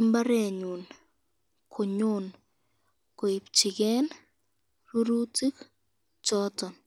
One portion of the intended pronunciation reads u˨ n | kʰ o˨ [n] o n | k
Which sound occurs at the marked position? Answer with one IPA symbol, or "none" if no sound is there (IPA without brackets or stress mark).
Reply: ɲ